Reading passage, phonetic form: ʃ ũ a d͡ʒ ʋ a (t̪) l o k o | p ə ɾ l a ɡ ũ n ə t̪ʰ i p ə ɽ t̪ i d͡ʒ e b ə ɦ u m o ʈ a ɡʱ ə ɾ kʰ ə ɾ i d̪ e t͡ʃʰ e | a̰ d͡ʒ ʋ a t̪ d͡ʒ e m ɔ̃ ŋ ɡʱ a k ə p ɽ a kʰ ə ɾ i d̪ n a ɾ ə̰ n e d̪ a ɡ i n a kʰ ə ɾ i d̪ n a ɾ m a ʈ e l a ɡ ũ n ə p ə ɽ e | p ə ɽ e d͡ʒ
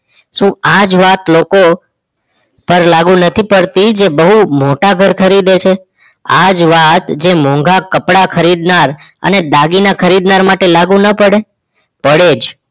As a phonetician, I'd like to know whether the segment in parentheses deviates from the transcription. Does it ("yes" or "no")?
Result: no